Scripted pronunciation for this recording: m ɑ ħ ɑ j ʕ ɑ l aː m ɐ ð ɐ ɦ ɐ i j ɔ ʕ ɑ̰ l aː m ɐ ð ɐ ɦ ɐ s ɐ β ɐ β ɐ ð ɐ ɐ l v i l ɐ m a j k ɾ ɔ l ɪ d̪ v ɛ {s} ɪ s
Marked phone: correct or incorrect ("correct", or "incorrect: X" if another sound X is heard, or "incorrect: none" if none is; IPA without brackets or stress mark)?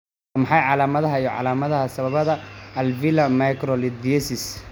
correct